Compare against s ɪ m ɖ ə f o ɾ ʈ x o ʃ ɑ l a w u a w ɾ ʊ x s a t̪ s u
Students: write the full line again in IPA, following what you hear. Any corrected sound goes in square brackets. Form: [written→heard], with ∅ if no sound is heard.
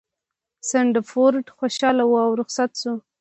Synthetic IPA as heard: s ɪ [m→ɳ] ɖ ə f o ɾ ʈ x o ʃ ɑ l a w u a w ɾ ʊ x s a t̪ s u

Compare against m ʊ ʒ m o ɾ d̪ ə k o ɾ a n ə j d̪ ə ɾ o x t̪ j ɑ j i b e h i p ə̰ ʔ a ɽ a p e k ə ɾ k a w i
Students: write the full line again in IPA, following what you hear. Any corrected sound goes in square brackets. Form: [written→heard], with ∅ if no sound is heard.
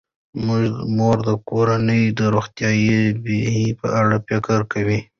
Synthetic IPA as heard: m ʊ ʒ m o ɾ d̪ ə k o ɾ a n ə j d̪ ə ɾ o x t̪ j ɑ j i b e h i p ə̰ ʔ a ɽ a p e k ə ɾ k a w i

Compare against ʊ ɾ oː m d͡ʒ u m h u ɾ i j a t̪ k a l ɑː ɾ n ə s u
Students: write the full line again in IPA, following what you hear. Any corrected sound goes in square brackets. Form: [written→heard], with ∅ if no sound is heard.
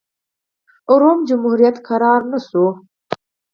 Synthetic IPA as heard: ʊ ɾ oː m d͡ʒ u m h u ɾ i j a t̪ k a [l→ɾ] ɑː ɾ n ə s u

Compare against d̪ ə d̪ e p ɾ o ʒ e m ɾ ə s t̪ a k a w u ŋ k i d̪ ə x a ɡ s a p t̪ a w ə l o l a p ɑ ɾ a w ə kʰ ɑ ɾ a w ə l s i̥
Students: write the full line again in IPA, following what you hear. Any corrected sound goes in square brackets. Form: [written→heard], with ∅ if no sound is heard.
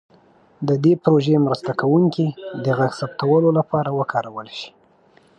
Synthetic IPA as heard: d̪ ə d̪ e p ɾ o ʒ e m ɾ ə s t̪ a k a w u ŋ k i d̪ ə [x→ɣ] a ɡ s a p t̪ a w ə l o l a p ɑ ɾ a w ə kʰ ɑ ɾ a w ə l [s→ʃ] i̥

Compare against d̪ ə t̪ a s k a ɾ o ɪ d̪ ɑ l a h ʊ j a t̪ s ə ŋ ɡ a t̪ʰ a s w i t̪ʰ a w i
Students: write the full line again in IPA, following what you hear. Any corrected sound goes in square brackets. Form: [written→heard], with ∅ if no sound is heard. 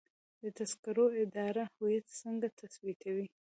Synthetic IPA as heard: d̪ ə t̪ a s k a ɾ o ɪ d̪ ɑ [l→ɾ] a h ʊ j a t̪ s ə ŋ ɡ a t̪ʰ a s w i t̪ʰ a w i

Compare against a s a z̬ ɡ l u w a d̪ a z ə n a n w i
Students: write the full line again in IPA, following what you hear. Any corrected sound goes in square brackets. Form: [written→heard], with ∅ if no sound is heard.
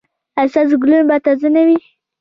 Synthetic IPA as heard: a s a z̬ ɡ l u [w→b] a [d̪→t̪] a z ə n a [n→∅] w i

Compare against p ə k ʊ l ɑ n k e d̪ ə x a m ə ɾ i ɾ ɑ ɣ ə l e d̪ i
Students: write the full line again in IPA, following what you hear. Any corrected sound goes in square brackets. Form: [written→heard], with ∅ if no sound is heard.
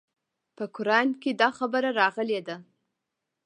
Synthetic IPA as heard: p ə k ʊ [l→ɾ] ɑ n k e d̪ [ə→ɑ] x a [m→b] ə ɾ [i→a] ɾ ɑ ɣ ə l e d̪ [i→a]

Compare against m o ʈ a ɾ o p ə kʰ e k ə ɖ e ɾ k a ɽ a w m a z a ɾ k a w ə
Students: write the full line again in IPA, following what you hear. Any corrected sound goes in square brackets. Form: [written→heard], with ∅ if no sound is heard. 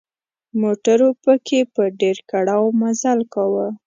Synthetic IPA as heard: m o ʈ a ɾ o p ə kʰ e [k→p] ə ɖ e ɾ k a ɽ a w m a z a [ɾ→l] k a w ə

